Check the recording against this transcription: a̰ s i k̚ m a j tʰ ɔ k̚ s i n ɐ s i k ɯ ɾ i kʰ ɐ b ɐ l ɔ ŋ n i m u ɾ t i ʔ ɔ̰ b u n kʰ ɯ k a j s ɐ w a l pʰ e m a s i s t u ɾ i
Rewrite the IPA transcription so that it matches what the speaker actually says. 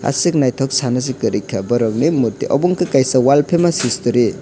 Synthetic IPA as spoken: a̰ s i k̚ n a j tʰ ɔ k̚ s a n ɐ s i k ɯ ɾ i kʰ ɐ b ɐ ɾ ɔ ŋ n i m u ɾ t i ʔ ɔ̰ b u ŋ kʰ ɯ k a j s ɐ w a l pʰ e m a s i s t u ɾ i